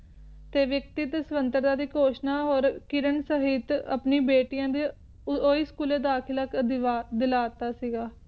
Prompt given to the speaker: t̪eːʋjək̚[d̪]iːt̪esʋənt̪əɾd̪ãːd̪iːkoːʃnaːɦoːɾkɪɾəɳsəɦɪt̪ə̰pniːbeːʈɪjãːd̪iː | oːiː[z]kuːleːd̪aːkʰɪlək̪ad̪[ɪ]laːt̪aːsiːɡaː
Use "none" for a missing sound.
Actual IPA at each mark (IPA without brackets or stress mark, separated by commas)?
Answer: t̪, s, ɪ